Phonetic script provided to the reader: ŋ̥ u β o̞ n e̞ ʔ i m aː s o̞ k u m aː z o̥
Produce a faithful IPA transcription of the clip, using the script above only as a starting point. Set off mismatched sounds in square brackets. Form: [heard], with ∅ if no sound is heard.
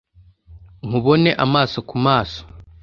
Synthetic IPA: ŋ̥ u β o̞ n e̞ ʔ [a] m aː s o̞ k u m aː [s] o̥